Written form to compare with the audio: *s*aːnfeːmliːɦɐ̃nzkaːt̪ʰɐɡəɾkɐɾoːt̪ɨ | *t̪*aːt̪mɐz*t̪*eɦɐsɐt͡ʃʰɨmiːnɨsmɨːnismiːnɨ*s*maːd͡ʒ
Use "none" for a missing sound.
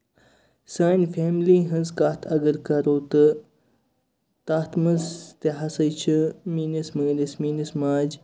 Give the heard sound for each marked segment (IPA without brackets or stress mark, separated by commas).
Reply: s, t̪, t̪, s